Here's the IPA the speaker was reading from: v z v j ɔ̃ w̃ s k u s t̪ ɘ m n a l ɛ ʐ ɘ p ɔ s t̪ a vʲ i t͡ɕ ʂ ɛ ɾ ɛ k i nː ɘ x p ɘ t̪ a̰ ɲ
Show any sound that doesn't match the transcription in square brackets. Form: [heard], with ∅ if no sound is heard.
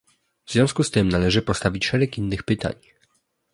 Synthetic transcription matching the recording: v z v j ɔ̃ w̃ s k u s t̪ ɘ m n a l ɛ ʐ ɘ p ɔ s t̪ a vʲ i t͡ɕ ʂ ɛ ɾ ɛ k i nː ɘ x p ɘ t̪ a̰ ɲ